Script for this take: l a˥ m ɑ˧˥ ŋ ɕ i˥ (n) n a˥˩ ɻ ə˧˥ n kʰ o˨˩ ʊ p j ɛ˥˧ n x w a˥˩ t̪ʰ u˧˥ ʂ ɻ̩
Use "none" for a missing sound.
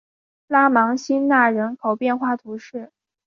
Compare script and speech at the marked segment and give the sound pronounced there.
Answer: n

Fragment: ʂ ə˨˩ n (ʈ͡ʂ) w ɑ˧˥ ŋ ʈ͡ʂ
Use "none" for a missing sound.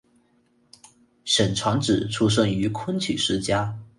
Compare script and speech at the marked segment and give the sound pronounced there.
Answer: ʈ͡ʂʰ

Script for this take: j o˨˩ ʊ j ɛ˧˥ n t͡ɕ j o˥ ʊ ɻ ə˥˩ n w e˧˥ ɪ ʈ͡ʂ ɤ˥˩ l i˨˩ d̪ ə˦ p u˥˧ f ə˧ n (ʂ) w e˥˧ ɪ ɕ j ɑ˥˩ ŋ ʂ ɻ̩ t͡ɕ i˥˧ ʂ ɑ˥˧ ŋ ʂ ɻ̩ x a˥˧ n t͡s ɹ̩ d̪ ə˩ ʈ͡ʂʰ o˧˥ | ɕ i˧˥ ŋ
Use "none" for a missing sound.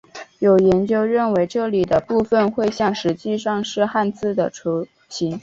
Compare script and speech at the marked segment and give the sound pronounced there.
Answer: x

